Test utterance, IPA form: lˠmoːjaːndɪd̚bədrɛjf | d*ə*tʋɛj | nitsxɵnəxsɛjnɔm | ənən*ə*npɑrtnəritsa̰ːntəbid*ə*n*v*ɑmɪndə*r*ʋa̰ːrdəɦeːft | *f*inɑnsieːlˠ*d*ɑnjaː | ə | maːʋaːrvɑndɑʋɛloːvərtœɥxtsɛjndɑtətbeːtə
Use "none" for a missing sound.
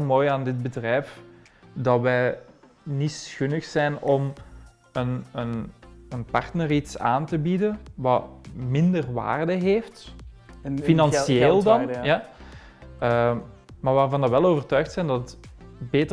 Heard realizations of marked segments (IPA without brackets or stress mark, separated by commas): ɑ, ə, ə, ʋ, r, f, d